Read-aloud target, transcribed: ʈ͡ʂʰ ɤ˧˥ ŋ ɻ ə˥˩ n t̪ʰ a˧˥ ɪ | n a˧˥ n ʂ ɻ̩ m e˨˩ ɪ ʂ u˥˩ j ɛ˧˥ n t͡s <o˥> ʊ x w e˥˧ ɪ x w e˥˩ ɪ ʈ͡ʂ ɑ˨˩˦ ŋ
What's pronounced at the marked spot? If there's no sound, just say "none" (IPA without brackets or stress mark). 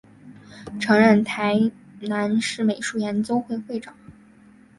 o˥